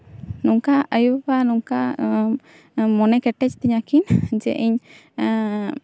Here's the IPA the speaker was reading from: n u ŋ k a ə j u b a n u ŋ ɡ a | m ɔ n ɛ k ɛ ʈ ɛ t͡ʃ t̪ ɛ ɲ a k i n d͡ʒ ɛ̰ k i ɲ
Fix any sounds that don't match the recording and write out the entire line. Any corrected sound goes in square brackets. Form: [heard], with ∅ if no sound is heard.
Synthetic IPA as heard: n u ŋ k a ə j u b a n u ŋ [k] a | m ɔ n ɛ k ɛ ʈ ɛ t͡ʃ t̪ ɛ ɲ a k i n d͡ʒ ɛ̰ [ʔ] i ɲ